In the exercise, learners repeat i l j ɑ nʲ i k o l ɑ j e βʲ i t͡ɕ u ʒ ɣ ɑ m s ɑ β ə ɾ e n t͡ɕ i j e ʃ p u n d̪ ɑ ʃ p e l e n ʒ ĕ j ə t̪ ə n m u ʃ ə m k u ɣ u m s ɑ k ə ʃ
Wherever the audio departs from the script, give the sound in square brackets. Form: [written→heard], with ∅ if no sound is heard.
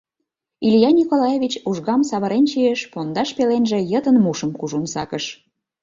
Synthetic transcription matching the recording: i l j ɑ nʲ i k o l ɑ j e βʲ i t͡ɕ u ʒ ɣ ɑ m s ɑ β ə ɾ e n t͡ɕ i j e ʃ p [u→o] n d̪ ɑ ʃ p e l e n ʒ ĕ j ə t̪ ə n m u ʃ ə m k u [ɣ→ʒ] u [m→n] s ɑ k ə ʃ